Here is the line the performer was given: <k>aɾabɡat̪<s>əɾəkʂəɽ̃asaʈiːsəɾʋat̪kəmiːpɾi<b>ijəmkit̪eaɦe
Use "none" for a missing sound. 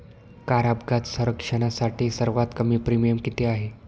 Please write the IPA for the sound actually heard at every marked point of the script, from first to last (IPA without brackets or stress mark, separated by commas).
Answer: k, s, m